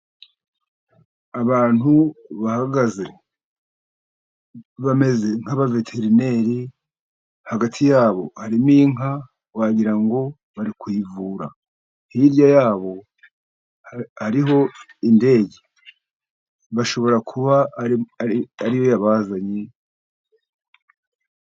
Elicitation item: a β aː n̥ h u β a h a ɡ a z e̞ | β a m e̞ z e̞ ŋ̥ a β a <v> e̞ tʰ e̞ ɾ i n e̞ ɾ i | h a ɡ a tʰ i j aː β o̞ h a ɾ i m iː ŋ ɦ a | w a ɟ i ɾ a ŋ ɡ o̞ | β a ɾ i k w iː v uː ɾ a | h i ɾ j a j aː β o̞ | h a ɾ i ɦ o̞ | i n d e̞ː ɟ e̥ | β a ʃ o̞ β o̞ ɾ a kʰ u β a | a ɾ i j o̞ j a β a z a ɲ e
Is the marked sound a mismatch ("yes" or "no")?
no